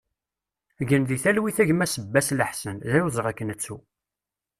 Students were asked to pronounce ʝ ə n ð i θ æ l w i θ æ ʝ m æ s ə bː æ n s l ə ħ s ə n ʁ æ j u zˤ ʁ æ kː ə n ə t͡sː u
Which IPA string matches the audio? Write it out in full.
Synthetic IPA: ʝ ə n ð i θ æ l w i θ æ ʝ m æ s ə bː æ s l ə ħ s ə n ð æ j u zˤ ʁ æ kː ə n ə t͡sː u